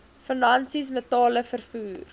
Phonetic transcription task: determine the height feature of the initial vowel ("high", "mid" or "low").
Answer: mid